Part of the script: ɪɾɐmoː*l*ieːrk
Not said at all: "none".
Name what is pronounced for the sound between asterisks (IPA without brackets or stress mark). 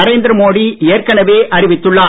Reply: ɽ